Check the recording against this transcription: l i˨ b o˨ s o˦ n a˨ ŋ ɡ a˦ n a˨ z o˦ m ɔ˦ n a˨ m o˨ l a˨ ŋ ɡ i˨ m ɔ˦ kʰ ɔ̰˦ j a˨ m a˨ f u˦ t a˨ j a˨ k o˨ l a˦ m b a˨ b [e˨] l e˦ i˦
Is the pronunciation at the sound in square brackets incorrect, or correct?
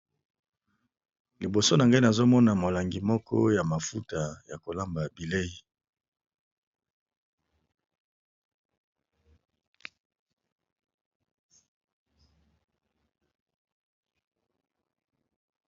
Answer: incorrect